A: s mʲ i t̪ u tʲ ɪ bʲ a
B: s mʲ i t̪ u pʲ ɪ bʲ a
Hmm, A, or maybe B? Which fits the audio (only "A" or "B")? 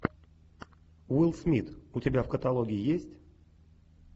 A